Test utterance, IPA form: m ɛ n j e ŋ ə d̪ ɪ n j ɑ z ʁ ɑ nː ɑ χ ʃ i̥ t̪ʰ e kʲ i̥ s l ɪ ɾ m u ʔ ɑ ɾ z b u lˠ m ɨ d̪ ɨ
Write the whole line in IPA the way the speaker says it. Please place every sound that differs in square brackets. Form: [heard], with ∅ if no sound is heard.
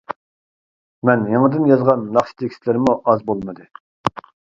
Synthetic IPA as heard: m ɛ n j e ŋ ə d̪ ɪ n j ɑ z ʁ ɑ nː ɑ χ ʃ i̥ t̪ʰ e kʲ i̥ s l ɪ ɾ m u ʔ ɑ [∅] z b [o] lˠ m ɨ d̪ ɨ